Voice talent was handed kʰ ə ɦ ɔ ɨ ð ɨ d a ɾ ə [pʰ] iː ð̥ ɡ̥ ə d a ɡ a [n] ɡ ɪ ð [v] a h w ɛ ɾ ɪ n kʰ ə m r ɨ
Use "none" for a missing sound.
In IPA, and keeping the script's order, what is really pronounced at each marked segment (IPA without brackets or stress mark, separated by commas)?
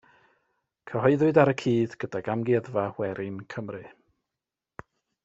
kʰ, m, v